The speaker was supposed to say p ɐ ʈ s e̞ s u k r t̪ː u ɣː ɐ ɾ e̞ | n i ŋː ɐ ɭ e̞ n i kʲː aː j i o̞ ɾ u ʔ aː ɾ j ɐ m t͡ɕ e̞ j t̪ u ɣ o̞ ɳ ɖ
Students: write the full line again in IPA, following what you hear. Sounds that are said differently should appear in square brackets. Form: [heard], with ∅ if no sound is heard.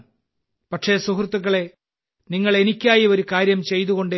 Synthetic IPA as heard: p ɐ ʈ [ʂ] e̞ s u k r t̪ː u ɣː ɐ [ɭ] e̞ | n i ŋː ɐ ɭ e̞ n i kʲː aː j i o̞ ɾ u [k] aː ɾ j ɐ m t͡ɕ e̞ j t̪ u ɣ o̞ ɳ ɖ